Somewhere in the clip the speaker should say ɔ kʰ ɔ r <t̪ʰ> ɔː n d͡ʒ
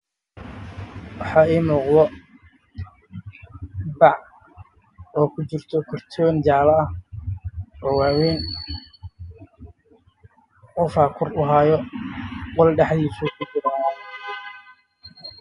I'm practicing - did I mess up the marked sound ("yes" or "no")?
no